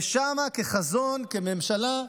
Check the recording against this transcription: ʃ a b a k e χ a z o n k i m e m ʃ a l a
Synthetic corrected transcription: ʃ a m a k e χ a z o n k e m e m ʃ a l a